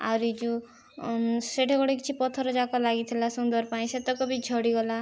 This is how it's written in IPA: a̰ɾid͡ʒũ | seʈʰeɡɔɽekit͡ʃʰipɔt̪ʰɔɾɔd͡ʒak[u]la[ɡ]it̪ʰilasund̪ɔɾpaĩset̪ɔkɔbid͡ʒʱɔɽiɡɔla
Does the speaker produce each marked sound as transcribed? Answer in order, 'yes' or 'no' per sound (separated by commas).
no, yes